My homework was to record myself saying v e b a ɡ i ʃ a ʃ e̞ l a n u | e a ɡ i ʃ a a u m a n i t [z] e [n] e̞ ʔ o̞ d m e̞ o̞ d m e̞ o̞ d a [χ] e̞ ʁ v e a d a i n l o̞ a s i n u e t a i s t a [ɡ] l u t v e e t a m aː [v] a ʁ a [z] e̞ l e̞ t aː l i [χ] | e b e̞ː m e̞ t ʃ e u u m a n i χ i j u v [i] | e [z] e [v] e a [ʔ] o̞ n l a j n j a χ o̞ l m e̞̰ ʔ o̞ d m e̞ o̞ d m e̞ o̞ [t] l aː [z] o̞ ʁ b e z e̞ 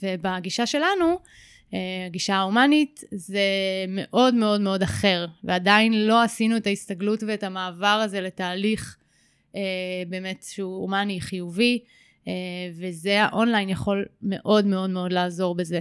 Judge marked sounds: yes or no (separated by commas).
yes, no, yes, yes, yes, yes, yes, yes, no, no, yes, no, yes